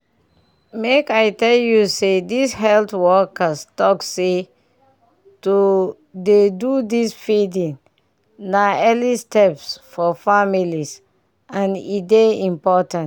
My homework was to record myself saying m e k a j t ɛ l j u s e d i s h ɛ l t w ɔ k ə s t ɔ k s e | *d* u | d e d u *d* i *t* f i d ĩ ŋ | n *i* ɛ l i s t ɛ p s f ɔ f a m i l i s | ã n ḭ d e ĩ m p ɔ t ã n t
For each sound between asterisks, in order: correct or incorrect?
incorrect, correct, incorrect, incorrect

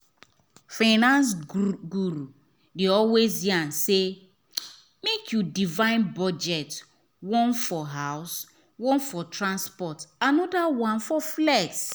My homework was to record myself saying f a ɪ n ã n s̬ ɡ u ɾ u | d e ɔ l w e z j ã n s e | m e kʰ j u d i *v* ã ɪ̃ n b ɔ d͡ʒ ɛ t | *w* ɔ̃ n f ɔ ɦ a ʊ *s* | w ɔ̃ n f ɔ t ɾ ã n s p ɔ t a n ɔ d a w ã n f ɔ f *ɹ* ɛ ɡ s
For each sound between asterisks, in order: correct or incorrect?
correct, correct, correct, incorrect

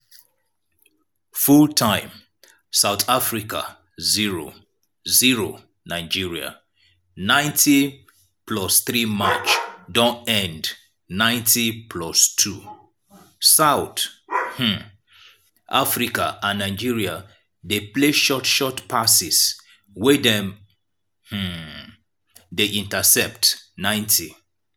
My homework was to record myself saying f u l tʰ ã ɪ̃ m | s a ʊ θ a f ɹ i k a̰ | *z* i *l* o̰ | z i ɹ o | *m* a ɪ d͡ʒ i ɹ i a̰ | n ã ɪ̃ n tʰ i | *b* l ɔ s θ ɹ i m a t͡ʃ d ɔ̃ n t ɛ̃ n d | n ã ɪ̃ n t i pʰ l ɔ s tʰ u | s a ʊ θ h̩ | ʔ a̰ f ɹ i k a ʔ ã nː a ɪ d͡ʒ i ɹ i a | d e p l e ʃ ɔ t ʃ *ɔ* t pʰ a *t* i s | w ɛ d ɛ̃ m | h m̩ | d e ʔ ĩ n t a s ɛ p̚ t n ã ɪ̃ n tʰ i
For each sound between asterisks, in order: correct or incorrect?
correct, incorrect, incorrect, incorrect, correct, incorrect

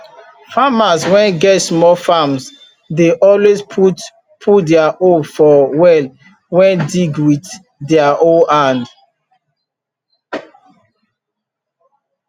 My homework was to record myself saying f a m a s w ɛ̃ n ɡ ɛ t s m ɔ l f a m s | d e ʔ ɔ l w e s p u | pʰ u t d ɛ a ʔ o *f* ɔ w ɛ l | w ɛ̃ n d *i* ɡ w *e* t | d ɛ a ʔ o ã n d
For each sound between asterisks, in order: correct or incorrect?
correct, correct, incorrect

